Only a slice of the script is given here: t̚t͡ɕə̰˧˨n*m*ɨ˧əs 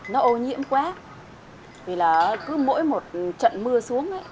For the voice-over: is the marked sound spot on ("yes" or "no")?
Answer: yes